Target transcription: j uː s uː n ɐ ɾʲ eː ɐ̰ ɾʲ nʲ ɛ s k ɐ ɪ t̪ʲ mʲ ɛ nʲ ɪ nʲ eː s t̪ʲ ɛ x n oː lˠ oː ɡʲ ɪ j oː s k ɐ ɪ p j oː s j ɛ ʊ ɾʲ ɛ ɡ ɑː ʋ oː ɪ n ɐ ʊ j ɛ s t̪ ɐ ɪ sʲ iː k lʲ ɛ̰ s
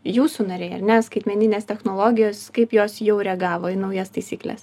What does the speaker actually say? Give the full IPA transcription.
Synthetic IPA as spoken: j uː s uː n ɐ ɾʲ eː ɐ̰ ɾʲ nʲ ɛ s k ɐ ɪ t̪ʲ mʲ ɛ nʲ ɪ nʲ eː s t̪ʲ ɛ x n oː lˠ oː ɡʲ ɪ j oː s k ɐ ɪ p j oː s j ɛ ʊ ɾʲ ɛ ɡ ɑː ʋ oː ɪ n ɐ ʊ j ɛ s t̪ ɐ ɪ sʲ iː k lʲ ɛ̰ s